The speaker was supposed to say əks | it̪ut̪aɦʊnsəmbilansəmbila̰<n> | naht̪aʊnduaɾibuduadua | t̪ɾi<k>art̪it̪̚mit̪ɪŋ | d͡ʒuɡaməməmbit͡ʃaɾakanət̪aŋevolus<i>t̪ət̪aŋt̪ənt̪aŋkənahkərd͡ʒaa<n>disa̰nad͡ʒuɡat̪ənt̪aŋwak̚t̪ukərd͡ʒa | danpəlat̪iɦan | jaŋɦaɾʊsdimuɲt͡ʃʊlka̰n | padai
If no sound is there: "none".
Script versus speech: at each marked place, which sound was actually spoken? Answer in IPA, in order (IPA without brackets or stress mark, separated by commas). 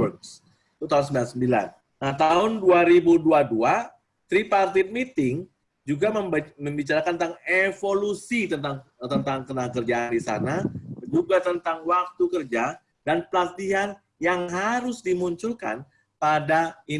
n, p, i, n